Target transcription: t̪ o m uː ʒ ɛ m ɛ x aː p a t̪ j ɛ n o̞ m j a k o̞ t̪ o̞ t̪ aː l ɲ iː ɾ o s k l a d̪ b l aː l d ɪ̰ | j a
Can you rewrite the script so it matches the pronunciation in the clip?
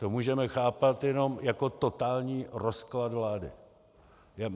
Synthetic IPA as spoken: t̪ o m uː ʒ ɛ m ɛ x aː p a t̪ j ɛ n o̞ m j a k o̞ t̪ o̞ t̪ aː l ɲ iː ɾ o s k l a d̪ v l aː d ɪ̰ | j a